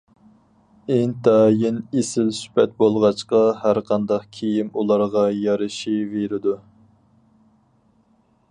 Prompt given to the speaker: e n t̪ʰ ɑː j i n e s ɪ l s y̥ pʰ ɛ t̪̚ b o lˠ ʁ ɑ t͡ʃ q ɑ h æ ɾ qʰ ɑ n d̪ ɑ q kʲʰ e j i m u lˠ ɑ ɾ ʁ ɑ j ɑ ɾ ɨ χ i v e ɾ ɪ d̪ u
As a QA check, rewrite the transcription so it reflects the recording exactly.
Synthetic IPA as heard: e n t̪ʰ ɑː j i n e s ɪ l s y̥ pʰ ɛ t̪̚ b o lˠ ʁ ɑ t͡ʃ q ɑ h æ ɾ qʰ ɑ n d̪ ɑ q kʲʰ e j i m u lˠ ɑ ɾ ʁ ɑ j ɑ ɾ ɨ ʃ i v e ɾ ɪ d̪ u

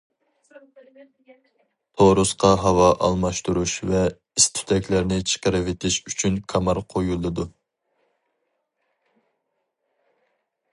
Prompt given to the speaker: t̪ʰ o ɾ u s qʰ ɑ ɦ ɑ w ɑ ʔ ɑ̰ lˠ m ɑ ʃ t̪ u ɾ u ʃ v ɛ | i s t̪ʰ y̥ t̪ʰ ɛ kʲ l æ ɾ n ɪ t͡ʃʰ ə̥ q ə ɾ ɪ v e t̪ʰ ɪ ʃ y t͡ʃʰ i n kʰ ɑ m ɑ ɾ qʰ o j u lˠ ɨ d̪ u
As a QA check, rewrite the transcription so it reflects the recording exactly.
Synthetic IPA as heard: t̪ʰ o ɾ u s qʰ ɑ ɦ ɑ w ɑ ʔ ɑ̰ lˠ m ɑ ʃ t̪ u ɾ u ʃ v ɛ | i s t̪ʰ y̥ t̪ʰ ɛ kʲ l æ ɾ n ɪ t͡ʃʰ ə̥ q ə ɾ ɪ v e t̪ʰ ɪ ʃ y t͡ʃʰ y n kʰ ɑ m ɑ ɾ qʰ o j u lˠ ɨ d̪ u

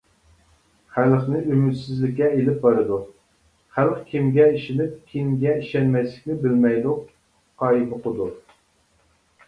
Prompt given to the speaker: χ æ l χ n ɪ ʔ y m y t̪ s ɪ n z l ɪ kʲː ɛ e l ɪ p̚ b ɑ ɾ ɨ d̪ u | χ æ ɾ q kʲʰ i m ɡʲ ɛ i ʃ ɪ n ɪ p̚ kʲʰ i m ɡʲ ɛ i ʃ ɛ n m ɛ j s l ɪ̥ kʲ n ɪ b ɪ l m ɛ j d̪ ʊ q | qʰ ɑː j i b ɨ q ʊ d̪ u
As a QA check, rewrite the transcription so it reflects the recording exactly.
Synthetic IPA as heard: χ æ l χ n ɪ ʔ y m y t̪ s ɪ z l ɪ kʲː ɛ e l ɪ p̚ b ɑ ɾ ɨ d̪ u | χ æ l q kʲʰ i m ɡʲ ɛ i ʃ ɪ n ɪ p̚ kʲʰ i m ɡʲ ɛ i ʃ ɛ n m ɛ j s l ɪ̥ kʲ n ɪ b ɪ l m ɛ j d̪ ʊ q | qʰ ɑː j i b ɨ q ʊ d̪ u

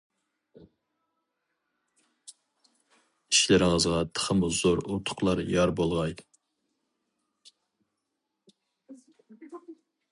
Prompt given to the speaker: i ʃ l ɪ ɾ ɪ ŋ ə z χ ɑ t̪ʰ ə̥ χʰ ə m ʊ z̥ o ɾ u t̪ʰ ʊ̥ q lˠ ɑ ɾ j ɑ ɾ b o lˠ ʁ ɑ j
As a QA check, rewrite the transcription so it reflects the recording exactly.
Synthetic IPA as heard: i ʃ l ɪ ɾ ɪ ŋ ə z ʁ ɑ t̪ʰ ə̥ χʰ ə m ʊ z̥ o ɾ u t̪ʰ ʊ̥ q lˠ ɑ ɾ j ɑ ɾ b o lˠ ʁ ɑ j

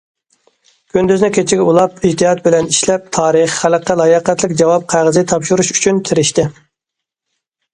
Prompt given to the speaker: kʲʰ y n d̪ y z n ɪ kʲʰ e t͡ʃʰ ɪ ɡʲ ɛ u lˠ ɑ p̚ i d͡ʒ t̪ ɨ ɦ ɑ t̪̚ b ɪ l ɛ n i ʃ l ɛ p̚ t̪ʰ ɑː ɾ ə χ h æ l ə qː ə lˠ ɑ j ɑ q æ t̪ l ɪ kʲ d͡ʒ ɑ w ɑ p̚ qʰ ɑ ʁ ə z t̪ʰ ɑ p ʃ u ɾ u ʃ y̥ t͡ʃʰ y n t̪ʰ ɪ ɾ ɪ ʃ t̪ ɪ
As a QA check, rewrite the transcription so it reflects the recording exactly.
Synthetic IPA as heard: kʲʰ y n d̪ y z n ɪ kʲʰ e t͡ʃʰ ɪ ɡʲ ɛ u lˠ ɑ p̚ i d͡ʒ t̪ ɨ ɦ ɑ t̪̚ b ɪ l ɛ n i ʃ l ɛ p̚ t̪ʰ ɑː ɾ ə χ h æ l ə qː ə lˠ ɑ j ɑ q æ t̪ l ɪ kʲ d͡ʒ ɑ w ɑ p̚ qʰ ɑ ʁ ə z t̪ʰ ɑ p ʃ u ɾ u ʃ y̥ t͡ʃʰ y n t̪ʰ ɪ ɾ ɪ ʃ t̪ ɪ

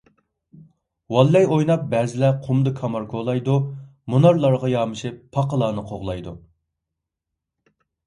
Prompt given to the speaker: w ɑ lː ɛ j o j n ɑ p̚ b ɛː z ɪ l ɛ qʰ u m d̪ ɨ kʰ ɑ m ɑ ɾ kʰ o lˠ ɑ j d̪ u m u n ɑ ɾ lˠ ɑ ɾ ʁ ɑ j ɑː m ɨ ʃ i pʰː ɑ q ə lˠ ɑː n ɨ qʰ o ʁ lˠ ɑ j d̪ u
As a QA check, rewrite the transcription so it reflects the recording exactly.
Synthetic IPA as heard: w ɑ lː ɛ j o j n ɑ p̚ b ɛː z ɪ l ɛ qʰ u m d̪ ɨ kʰ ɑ m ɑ ɾ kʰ o lˠ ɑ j d̪ u m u n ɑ ɾ lˠ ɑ ɾ ʁ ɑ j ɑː m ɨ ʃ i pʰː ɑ q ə lˠ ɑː n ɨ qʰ o ʁ lˠ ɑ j d̪ u

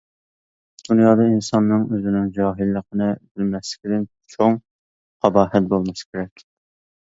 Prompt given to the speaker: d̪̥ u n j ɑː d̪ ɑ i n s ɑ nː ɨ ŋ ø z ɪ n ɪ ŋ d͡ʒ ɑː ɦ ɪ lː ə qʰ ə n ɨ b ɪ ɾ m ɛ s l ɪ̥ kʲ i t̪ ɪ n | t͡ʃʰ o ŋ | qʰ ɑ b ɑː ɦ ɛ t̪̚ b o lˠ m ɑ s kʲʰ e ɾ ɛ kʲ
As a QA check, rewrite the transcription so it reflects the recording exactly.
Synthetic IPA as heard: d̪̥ u n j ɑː d̪ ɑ i n s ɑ nː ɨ ŋ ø z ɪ n ɪ ŋ d͡ʒ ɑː ɦ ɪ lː ə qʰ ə n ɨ b ɪ l m ɛ s l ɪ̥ kʲ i d̪ ɪ n | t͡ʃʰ o ŋ | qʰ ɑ b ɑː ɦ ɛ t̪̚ b o lˠ m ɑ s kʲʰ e ɾ ɛ kʲ

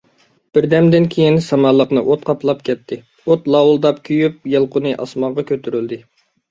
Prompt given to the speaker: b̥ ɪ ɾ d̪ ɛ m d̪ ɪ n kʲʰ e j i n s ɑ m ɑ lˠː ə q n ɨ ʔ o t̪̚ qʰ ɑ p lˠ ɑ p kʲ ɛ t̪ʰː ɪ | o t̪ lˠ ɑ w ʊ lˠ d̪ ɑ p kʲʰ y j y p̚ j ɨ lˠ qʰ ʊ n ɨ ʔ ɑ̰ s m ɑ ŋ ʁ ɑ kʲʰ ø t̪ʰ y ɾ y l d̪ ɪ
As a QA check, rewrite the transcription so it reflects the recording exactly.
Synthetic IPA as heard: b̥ ɪ ɾ d̪ ɛ m d̪ ɪ n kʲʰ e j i n s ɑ m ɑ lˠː ə q n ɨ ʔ o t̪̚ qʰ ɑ p lˠ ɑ p kʲ ɛ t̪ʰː ɪ | o t̪ lˠ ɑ w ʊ lˠ d̪ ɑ p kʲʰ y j y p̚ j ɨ lˠ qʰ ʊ n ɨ ʔ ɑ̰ s m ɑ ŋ ʁ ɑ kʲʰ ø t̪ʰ y ɾ y l d̪ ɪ

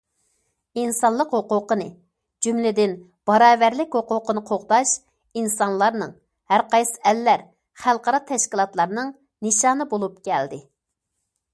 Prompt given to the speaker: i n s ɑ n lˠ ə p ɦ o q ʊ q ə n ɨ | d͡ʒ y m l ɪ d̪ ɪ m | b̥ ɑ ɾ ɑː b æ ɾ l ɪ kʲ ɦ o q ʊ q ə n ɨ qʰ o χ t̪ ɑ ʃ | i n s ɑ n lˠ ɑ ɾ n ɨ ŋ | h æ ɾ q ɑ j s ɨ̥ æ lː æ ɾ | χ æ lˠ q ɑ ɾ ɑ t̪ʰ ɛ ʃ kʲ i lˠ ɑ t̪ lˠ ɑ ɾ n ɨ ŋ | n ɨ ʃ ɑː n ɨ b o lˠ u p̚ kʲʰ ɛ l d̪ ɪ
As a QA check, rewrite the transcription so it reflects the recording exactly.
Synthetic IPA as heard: i n s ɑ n lˠ ə q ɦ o q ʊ q ə n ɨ | d͡ʒ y m l ɪ d̪ ɪ n | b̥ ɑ ɾ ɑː v æ ɾ l ɪ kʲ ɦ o q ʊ q ə n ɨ qʰ o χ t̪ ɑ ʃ | i n s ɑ n lˠ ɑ ɾ n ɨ ŋ | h æ ɾ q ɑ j s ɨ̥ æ lː æ ɾ | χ æ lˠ q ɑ ɾ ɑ t̪ʰ ɛ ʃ kʲ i lˠ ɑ t̪ lˠ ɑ ɾ n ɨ ŋ | n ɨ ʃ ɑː n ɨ b o lˠ u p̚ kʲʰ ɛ l d̪ ɪ

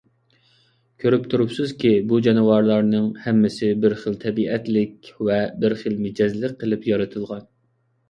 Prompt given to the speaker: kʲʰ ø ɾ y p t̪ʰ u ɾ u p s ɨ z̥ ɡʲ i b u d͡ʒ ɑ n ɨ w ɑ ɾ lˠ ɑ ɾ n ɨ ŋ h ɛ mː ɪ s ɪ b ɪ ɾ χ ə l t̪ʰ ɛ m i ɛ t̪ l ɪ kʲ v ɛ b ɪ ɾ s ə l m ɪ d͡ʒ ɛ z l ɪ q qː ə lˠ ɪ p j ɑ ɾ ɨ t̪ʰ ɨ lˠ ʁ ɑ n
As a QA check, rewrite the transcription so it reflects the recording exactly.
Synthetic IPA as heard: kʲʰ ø ɾ y p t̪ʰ u ɾ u p s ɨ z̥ kʲ i b u d͡ʒ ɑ n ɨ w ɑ ɾ lˠ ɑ ɾ n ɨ ŋ h ɛ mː ɪ s ɪ b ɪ ɾ χ ə l t̪ʰ ɛ b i ɛ t̪ l ɪ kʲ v ɛ b ɪ ɾ χ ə l m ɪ d͡ʒ ɛ z l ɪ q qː ə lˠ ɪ p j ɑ ɾ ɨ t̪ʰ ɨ lˠ ʁ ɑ n

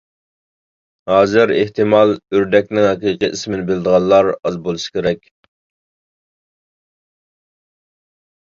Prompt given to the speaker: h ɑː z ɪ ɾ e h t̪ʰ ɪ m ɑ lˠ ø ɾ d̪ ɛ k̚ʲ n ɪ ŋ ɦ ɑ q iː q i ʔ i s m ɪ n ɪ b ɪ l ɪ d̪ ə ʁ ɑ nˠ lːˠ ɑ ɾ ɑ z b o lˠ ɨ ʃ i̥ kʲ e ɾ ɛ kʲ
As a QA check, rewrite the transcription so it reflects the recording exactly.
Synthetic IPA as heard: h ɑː z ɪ ɾ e h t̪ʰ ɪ m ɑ lˠ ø ɾ d̪ ɛ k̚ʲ n ɪ ŋ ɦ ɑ q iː q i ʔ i s m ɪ n ɪ b ɪ l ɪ d̪ ə ʁ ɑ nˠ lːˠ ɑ ɾ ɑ z b o lˠ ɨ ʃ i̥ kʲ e ɾ ɛ kʲ

